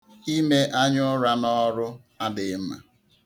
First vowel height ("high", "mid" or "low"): high